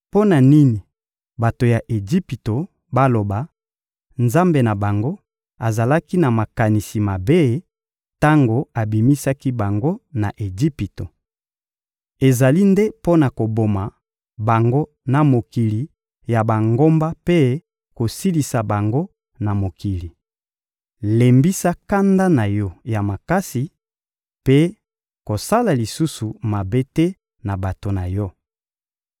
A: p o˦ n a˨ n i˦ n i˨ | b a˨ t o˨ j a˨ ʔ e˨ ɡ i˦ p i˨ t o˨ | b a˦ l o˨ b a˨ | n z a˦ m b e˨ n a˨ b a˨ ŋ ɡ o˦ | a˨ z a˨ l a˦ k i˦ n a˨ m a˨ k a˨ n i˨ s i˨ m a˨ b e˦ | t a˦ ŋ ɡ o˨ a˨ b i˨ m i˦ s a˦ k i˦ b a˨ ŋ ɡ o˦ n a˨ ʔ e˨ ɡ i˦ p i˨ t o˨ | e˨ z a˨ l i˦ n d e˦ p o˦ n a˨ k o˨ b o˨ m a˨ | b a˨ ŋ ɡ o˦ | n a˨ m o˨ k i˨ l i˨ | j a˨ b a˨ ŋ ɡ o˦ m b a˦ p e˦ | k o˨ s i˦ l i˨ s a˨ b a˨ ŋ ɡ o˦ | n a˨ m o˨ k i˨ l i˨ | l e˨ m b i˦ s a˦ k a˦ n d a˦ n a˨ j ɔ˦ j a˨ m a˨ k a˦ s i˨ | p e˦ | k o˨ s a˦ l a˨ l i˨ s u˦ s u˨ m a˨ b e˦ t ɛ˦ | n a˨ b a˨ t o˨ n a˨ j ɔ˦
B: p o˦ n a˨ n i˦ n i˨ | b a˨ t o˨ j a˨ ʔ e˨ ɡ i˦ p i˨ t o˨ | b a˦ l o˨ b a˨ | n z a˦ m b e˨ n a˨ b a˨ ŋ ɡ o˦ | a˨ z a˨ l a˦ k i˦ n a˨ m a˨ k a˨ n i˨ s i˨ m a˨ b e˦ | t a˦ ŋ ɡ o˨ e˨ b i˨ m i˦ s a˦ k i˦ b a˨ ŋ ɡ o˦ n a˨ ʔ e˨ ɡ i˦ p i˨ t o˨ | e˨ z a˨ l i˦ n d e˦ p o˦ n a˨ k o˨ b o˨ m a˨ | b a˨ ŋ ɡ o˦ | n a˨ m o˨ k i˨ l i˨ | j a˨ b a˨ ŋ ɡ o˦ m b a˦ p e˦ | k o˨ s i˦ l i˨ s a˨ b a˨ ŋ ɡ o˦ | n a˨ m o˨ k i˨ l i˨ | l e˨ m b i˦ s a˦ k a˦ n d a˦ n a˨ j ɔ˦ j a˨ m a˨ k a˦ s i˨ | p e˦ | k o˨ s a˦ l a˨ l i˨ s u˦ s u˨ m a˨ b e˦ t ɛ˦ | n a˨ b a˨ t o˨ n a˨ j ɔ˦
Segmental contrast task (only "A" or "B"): A